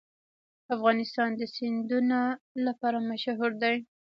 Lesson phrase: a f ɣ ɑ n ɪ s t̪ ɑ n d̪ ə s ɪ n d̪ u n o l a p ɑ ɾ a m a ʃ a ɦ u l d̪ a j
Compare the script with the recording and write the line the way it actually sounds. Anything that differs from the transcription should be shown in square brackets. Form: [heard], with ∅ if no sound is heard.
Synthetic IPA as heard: a f ɣ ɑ n ɪ s t̪ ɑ n d̪ ə s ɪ n d̪ u n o l a p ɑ ɾ a m a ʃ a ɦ u [ɾ] d̪ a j